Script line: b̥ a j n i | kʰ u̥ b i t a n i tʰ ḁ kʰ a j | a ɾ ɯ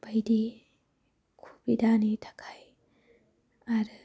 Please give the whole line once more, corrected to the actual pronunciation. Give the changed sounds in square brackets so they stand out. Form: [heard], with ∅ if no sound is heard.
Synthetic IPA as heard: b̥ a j [d] i | kʰ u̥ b i [d] a n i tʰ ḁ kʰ a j | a ɾ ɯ